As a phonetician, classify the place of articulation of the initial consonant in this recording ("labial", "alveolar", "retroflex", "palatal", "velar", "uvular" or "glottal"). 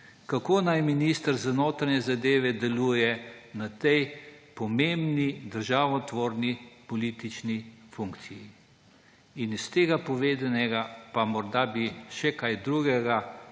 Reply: velar